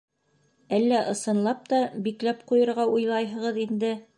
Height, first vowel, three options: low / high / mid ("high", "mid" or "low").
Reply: low